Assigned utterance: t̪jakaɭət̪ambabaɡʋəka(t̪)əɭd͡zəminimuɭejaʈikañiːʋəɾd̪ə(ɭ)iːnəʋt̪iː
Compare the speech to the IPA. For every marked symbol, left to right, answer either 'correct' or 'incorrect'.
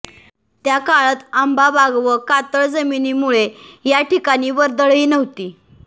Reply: correct, correct

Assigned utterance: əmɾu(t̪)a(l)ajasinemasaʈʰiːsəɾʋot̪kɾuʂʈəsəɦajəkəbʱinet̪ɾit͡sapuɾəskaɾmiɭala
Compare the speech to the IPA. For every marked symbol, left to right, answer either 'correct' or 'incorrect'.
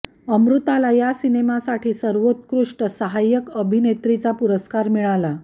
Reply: correct, correct

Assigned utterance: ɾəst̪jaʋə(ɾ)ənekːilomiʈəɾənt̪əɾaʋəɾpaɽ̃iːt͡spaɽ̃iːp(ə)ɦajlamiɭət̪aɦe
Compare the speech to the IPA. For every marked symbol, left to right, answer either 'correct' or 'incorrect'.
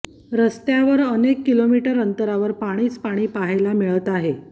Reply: correct, incorrect: a

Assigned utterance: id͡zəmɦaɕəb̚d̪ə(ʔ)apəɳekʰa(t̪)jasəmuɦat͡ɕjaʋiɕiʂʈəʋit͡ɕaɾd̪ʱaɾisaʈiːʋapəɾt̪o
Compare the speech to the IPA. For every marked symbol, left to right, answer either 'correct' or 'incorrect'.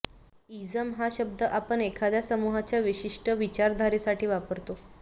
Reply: correct, incorrect: d̪

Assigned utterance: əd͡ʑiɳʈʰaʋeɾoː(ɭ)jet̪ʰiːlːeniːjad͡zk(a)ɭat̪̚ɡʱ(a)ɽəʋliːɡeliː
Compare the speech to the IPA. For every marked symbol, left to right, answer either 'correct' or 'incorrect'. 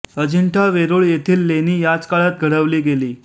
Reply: correct, correct, incorrect: ə

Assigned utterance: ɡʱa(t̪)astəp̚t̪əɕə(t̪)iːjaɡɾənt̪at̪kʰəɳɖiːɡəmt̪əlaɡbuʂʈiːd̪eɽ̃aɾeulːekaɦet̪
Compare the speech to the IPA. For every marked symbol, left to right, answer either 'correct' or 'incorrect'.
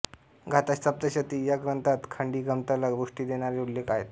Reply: correct, correct

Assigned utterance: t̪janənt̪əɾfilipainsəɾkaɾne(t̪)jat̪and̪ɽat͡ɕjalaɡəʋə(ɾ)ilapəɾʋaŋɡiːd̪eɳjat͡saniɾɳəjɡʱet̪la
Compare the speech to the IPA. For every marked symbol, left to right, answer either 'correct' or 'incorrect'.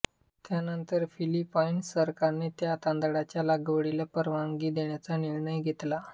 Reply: correct, incorrect: ɽ

